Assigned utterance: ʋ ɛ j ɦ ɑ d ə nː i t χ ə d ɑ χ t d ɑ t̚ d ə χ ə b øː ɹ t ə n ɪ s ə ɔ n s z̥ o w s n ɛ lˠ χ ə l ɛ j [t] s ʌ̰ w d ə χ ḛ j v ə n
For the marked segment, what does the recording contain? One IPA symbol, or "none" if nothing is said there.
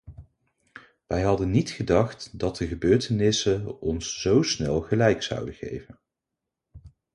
k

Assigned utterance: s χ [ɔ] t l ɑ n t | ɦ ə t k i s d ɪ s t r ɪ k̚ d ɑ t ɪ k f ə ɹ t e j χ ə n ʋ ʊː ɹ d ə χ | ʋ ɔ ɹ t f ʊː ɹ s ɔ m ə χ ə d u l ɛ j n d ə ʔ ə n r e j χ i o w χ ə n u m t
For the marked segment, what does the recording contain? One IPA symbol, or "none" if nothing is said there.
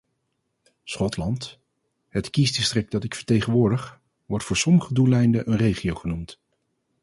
ɔ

